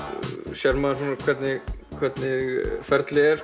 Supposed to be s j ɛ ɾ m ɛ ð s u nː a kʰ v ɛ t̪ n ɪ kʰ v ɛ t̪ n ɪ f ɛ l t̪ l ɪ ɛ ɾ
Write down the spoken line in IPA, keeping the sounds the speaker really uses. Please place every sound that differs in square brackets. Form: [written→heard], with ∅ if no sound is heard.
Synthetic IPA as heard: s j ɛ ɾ m [ɛ→a] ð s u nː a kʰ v ɛ t̪ n ɪ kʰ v ɛ t̪ n ɪ f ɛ [l→ɾ] t̪ l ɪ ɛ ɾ